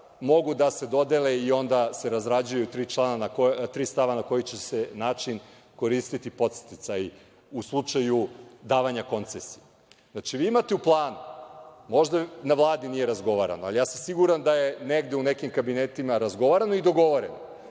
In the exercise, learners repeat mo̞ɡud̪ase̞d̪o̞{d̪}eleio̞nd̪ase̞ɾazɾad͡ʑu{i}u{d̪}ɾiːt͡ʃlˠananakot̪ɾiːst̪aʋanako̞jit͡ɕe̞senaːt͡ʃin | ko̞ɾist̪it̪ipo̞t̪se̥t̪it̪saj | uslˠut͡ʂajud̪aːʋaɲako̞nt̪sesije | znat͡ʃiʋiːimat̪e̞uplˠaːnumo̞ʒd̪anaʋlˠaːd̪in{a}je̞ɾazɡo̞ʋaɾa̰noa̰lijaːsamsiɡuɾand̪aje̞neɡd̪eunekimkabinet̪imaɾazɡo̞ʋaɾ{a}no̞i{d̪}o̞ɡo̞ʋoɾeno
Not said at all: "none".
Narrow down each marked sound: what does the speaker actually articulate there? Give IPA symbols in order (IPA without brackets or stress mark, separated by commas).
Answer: d̪, j, t̪, i, a, d̪